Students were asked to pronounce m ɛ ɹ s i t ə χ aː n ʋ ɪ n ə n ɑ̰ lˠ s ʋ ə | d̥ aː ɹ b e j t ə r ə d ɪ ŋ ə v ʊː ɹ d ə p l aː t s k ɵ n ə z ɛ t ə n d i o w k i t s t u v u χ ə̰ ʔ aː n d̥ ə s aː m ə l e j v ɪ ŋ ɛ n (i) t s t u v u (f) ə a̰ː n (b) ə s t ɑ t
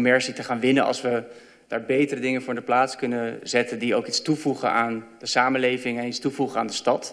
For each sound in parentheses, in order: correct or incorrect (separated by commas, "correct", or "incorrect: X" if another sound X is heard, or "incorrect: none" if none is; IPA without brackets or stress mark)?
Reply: correct, incorrect: χ, incorrect: d